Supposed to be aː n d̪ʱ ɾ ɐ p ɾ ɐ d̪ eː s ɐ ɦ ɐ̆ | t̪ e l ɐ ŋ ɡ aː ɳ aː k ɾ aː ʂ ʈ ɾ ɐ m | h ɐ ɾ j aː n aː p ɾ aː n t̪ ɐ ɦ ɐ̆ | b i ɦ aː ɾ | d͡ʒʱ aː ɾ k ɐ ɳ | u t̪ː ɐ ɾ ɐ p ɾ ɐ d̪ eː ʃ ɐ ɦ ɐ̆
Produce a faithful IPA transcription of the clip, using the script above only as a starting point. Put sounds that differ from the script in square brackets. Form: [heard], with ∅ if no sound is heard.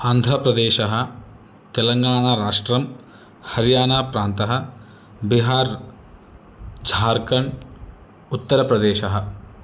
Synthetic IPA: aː n d̪ʱ ɾ ɐ p ɾ ɐ d̪ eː [ʃ] ɐ ɦ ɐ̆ | t̪ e l ɐ ŋ ɡ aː ɳ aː [∅] ɾ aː ʂ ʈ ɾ ɐ m | h ɐ ɾ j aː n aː p ɾ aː n t̪ ɐ ɦ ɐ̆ | b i ɦ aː ɾ | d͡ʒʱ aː ɾ k ɐ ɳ | u t̪ː ɐ ɾ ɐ p ɾ ɐ d̪ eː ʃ ɐ ɦ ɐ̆